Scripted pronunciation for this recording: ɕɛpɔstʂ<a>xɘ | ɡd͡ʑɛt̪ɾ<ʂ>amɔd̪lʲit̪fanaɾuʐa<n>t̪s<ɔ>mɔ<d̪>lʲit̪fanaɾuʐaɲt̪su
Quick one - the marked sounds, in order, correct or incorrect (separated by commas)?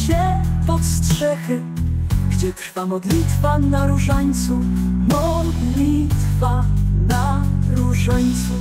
incorrect, incorrect, incorrect, incorrect, correct